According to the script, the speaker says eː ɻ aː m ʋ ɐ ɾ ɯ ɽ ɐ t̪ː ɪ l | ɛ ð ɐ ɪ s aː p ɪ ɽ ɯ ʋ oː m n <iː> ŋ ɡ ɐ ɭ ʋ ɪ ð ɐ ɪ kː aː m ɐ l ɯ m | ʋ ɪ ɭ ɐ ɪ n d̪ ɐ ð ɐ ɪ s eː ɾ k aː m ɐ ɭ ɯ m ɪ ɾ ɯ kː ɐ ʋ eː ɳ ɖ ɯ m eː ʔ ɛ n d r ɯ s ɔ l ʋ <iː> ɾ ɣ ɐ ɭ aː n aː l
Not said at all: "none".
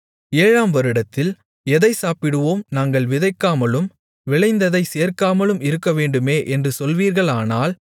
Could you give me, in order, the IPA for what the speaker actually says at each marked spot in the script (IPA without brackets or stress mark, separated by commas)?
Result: aː, iː